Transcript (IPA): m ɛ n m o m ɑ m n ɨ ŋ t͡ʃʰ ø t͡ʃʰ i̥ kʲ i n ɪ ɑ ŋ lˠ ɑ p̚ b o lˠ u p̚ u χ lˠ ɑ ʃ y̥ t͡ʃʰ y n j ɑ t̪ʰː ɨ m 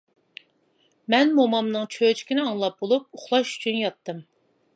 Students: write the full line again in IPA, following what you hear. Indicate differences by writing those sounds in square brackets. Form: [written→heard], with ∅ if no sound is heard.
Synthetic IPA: m ɛ n m o m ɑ m n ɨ ŋ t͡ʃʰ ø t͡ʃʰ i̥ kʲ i n ɪ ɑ ŋ lˠ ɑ p̚ b o lˠ u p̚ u χ lˠ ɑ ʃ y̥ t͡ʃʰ y n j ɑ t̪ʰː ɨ m